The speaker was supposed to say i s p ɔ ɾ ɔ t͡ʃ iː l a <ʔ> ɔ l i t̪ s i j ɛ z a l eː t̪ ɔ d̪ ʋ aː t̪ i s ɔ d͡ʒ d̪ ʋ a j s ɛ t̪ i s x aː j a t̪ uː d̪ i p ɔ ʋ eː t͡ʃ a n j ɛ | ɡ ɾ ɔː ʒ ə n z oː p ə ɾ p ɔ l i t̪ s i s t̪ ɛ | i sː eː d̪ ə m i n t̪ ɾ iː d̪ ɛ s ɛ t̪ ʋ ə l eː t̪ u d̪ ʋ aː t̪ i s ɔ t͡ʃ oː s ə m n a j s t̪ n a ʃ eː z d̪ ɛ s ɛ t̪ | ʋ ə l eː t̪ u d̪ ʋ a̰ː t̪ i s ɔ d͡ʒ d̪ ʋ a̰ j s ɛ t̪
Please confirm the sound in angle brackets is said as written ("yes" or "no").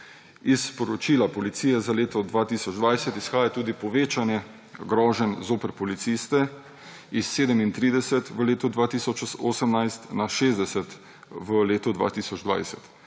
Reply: no